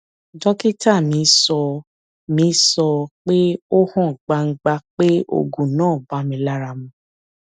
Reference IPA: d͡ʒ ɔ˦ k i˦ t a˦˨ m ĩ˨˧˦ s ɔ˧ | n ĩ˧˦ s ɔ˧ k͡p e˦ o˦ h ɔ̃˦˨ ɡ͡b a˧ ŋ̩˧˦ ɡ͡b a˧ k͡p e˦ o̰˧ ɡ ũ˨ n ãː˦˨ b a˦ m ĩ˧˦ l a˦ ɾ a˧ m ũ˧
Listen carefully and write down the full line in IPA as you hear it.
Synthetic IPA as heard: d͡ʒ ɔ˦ k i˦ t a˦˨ m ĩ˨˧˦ s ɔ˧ | m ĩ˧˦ s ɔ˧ k͡p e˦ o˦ h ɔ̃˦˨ ɡ͡b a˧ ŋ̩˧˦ ɡ͡b a˧ k͡p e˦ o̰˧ ɡ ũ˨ n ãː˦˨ b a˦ m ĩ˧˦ l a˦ ɾ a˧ m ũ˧

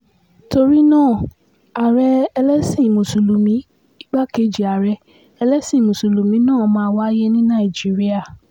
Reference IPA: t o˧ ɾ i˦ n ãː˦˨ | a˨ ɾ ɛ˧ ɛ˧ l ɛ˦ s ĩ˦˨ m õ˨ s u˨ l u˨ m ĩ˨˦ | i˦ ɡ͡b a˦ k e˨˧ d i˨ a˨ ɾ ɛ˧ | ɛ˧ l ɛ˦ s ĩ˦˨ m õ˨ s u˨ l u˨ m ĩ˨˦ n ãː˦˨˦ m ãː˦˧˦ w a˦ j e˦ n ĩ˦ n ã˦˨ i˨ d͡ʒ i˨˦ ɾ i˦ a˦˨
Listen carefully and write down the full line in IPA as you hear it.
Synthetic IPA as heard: t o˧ ɾ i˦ n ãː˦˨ | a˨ ɾ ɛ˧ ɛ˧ l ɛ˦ s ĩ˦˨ m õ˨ s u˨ l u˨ m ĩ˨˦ | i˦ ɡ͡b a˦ k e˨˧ d͡ʒ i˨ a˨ ɾ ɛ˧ | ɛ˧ l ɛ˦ s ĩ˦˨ m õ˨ s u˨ l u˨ m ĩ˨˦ n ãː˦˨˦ m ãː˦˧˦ w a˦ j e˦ n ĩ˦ n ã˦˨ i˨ d͡ʒ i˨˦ ɾ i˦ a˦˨

